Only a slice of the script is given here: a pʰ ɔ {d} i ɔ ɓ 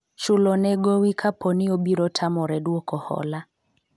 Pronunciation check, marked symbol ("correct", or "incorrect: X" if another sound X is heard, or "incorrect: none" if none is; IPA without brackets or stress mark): incorrect: n